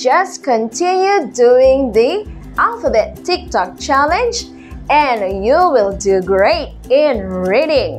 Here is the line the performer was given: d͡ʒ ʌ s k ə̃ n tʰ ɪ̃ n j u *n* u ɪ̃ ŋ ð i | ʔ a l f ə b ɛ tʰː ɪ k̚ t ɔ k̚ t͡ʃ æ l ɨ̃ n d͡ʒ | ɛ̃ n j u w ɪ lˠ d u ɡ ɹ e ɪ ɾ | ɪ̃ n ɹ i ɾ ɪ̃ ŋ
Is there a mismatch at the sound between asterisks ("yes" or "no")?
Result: yes